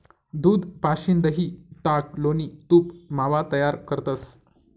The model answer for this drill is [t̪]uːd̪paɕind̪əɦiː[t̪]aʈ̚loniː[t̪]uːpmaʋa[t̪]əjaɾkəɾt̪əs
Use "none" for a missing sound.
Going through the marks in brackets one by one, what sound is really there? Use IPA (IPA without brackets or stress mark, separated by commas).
d̪, t̪, t̪, t̪